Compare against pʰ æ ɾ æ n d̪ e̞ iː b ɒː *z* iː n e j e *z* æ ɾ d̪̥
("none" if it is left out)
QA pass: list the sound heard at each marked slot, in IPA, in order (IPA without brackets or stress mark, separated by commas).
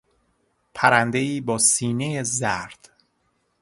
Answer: s, z